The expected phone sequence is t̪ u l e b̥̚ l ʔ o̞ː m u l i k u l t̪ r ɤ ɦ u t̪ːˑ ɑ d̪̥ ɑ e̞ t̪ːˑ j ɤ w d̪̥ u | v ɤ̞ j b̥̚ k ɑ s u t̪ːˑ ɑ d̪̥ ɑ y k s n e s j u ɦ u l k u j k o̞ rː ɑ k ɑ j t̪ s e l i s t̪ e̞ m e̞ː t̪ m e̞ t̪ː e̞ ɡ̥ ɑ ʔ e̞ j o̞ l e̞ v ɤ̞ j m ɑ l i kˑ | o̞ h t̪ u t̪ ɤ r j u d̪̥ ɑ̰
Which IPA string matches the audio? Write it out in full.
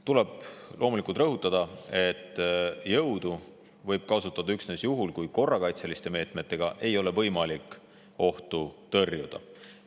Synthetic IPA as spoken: t̪ u l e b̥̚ l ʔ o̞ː m u l i k u l t̪ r ɤ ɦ u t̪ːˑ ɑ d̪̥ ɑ e̞ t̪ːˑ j ɤ w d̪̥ u | v ɤ̞ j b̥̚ k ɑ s u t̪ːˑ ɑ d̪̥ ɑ y k s n e s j u ɦ u l k u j k o̞ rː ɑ k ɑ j t̪ s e l i s t̪ e̞ m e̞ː t̪ m e̞ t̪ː e̞ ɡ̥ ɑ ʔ e̞ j o̞ l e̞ v ɤ̞ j m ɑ l i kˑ | o̞ h t̪ u t̪ ɤ r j u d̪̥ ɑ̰